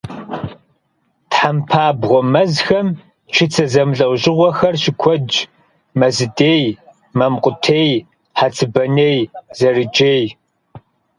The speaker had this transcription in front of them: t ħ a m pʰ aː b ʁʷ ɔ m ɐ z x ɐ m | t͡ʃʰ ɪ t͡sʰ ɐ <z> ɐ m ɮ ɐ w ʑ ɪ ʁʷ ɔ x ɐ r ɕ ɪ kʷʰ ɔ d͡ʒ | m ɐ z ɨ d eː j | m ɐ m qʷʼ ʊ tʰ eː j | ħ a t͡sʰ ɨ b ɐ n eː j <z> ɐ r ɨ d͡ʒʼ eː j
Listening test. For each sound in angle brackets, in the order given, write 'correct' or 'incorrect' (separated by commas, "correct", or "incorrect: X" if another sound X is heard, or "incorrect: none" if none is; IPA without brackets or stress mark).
correct, correct